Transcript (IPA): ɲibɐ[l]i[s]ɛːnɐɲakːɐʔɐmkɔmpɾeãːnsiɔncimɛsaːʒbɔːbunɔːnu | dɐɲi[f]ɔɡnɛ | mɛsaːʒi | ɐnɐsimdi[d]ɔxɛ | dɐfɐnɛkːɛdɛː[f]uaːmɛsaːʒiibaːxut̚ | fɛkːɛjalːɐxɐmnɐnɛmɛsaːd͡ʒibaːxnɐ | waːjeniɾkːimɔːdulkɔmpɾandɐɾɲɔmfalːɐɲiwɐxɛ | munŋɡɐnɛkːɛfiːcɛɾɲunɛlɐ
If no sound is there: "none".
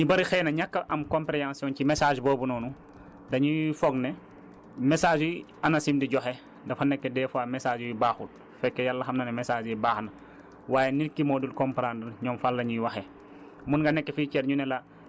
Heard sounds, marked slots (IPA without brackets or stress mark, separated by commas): ɾ, x, f, ɟ, f